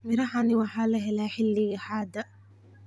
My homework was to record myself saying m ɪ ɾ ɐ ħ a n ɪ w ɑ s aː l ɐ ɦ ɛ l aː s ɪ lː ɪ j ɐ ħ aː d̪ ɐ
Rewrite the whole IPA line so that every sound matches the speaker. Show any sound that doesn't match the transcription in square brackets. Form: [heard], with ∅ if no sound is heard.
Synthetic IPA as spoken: m ɪ ɾ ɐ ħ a n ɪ w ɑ [ħ] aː l ɐ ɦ ɛ l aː [ħ] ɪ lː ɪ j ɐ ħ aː d̪ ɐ